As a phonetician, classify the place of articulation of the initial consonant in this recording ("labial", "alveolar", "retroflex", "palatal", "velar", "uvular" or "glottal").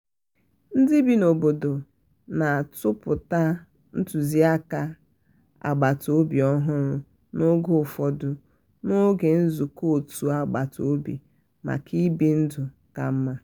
alveolar